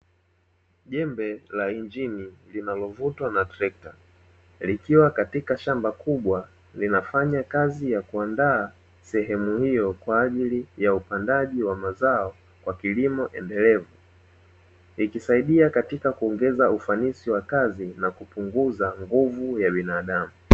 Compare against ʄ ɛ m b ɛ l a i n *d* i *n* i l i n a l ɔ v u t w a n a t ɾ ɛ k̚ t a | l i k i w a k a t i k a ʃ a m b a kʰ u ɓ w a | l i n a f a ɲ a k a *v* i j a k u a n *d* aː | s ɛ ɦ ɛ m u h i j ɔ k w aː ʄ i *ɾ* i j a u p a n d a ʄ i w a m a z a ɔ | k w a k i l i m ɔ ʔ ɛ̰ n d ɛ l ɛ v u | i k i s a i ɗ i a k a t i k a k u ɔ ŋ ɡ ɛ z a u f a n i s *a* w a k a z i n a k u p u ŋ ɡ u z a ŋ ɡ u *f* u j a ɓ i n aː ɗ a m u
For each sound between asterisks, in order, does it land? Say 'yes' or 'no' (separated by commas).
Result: no, yes, no, yes, no, no, no